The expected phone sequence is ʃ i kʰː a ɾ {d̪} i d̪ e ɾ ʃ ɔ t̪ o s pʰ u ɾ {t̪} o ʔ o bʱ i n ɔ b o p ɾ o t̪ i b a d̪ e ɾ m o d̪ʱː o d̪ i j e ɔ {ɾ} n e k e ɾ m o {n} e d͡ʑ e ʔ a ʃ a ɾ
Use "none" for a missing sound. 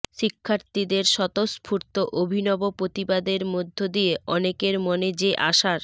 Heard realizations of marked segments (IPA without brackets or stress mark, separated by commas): t̪, t̪, none, n